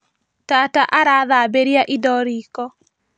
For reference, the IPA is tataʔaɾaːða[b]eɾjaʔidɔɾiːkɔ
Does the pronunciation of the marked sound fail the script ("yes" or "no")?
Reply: no